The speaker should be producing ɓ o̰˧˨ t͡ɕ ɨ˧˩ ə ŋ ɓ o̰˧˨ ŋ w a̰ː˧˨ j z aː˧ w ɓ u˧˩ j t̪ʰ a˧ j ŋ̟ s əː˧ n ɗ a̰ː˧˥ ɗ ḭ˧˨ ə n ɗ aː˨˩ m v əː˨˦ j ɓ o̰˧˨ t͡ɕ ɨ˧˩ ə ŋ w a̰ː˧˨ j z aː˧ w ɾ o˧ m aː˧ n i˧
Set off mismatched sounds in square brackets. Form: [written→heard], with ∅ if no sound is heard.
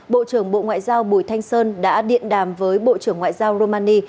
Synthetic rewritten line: ɓ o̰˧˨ t͡ɕ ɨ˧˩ ə ŋ ɓ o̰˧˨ ŋ w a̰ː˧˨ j z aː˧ w ɓ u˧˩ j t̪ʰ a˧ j ŋ̟ s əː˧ n ɗ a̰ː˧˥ ɗ ḭ˧˨ ə n ɗ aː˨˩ m v əː˨˦ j ɓ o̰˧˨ t͡ɕ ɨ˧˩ ə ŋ w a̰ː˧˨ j z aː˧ w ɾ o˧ m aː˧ n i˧